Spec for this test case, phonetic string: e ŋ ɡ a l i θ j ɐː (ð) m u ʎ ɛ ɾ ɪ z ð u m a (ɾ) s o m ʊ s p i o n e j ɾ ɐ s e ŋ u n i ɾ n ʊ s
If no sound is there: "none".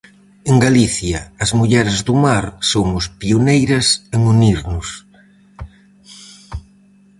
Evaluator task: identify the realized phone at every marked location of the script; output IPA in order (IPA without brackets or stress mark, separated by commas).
z, ɾ